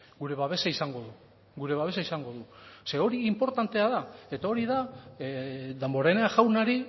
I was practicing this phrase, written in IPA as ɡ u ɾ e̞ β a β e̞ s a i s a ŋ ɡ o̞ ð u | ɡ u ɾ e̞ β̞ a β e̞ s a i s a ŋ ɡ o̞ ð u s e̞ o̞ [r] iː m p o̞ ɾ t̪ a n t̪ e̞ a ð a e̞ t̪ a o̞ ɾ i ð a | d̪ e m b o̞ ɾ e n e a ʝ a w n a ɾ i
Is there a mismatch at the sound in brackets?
yes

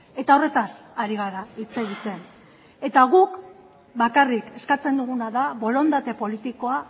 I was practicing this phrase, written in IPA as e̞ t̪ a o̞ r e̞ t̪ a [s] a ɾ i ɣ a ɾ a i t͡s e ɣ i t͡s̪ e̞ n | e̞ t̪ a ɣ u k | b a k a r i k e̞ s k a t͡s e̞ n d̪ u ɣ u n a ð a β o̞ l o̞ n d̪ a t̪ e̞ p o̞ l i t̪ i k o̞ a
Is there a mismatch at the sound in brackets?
no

